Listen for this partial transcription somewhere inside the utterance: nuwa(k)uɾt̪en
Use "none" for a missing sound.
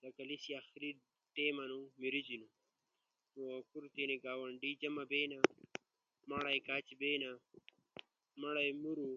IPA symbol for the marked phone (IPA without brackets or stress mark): k